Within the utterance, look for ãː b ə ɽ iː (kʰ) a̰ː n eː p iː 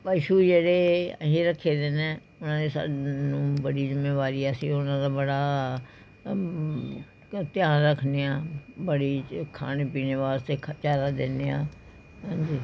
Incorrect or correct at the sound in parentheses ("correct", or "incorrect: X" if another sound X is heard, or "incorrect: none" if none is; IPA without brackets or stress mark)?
correct